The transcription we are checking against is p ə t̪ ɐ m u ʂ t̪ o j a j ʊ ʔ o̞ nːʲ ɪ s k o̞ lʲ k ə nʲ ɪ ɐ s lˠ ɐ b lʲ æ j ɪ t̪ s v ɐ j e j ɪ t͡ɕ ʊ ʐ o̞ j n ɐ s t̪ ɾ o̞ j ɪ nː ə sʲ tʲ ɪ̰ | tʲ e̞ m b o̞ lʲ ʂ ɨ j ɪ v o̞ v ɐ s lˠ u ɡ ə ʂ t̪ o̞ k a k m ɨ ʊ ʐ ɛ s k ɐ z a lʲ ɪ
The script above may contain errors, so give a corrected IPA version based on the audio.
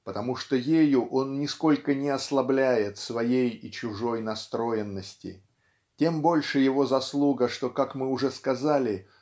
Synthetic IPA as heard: p ə t̪ ɐ m u ʂ t̪ o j e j ʊ ʔ o̞ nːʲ ɪ s k o̞ lʲ k ə nʲ ɪ ɐ s lˠ ɐ b lʲ æ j ɪ t̪ s v ɐ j e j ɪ t͡ɕ ʊ ʐ o̞ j n ɐ s t̪ ɾ o̞ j ɪ nː ə sʲ tʲ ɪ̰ | tʲ e̞ m b o̞ lʲ ʂ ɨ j ɪ v o̞ z ɐ s lˠ u ɡ ə ʂ t̪ o̞ k a k m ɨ ʊ ʐ ɛ s k ɐ z a lʲ ɪ